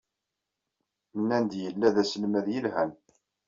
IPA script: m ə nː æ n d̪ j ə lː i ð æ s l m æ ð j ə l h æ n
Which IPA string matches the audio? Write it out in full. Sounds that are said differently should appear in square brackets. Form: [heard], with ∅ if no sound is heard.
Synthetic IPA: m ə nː æ n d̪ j ə lː [æ] ð æ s l m æ ð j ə l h æ n